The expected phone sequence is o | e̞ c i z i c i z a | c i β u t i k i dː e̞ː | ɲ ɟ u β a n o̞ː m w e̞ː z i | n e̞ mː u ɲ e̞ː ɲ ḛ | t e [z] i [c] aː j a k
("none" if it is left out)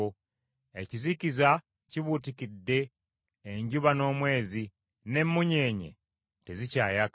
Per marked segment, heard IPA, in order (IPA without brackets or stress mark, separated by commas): z, c